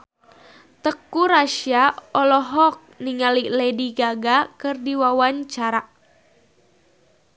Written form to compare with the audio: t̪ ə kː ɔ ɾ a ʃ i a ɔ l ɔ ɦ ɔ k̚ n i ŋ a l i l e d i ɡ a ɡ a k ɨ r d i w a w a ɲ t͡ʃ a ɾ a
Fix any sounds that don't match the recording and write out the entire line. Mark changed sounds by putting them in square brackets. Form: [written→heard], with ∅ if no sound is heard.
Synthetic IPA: t̪ ə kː [ɔ→u] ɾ a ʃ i a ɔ l ɔ ɦ ɔ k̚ n i ŋ a l i l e d i ɡ a ɡ a k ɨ r d i w a w a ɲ t͡ʃ a ɾ a